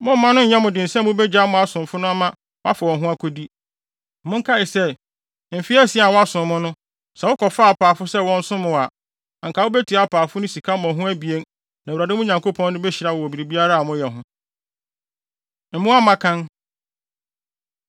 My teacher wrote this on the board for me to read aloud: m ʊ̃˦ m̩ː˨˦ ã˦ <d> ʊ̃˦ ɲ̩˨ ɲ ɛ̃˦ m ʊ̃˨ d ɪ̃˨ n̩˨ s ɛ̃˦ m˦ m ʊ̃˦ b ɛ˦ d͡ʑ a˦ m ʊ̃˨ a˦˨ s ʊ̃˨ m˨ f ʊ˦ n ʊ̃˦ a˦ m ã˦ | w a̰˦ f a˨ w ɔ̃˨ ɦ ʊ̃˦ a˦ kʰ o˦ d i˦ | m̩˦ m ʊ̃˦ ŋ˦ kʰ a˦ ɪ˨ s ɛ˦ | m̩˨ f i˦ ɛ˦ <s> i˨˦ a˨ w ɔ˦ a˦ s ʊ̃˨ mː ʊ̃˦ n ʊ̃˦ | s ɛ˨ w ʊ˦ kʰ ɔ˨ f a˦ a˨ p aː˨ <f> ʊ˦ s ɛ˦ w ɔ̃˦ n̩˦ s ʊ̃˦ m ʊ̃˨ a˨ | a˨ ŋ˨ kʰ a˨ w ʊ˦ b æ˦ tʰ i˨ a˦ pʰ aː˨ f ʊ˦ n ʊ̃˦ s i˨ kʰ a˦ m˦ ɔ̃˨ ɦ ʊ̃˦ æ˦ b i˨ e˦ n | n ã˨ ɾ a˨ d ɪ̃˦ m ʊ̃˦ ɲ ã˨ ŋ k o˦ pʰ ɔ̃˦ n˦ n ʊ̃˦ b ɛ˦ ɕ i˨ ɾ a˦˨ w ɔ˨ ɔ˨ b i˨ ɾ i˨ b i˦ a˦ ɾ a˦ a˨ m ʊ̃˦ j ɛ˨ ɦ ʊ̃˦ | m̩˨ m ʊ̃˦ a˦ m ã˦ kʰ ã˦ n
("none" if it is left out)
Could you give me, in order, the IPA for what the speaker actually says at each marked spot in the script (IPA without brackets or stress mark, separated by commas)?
n, s, f